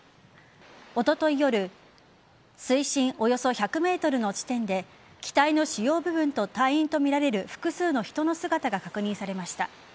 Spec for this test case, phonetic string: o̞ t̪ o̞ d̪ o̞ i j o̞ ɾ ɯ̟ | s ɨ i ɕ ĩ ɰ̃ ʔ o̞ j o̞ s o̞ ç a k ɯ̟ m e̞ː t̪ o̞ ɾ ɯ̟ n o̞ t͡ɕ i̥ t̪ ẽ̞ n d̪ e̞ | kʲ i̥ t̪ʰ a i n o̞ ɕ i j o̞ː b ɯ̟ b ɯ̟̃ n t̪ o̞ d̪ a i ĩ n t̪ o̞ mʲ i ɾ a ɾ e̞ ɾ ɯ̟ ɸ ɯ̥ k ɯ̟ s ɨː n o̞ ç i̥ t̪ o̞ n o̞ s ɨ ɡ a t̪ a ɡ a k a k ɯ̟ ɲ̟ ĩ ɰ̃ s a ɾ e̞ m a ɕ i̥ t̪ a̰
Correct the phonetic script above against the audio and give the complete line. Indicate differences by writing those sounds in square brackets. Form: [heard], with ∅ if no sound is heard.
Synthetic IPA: o̞ t̪ o̞ [t̪] o̞ i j o̞ ɾ ɯ̟ | s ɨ i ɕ ĩ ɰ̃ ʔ o̞ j o̞ s o̞ ç a k ɯ̟ m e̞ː t̪ o̞ ɾ ɯ̟ n o̞ t͡ɕ i̥ t̪ ẽ̞ n d̪ e̞ | kʲ i̥ [t̪] a i n o̞ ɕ i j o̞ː b ɯ̟ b ɯ̟̃ n t̪ o̞ [t̪] a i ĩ n t̪ o̞ mʲ i ɾ a ɾ e̞ ɾ ɯ̟ ɸ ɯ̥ k ɯ̟ s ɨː n o̞ ç i̥ t̪ o̞ n o̞ s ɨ ɡ a t̪ a ɡ a k a k ɯ̟ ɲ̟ ĩ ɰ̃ s a ɾ e̞ m a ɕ i̥ t̪ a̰